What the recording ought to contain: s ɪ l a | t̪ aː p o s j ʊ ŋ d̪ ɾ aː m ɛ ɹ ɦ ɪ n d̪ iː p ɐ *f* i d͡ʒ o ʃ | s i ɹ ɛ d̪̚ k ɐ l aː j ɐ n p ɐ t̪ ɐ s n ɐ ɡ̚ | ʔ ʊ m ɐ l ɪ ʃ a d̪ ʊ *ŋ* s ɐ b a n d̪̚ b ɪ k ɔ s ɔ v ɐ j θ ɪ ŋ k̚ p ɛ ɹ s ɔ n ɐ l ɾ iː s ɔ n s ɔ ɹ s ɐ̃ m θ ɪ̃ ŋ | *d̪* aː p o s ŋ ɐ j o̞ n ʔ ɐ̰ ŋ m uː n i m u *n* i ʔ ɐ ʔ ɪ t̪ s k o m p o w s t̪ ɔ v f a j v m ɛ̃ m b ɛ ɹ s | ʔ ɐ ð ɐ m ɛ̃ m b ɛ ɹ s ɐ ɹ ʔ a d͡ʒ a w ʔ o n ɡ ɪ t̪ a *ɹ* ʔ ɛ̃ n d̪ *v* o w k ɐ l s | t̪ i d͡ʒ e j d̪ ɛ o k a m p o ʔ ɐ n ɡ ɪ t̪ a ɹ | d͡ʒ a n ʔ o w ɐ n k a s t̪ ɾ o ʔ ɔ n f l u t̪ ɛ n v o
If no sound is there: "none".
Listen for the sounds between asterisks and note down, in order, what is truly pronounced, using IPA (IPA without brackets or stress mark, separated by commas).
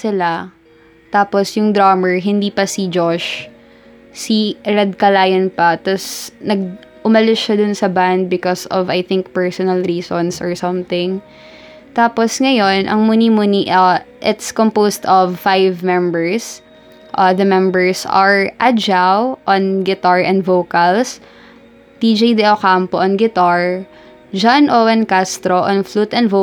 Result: s, n, t̪, n, ɹ, v